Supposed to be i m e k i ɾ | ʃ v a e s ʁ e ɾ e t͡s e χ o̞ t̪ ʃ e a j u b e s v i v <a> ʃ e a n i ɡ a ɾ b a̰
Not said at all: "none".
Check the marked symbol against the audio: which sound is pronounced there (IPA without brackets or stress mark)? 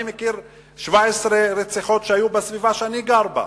a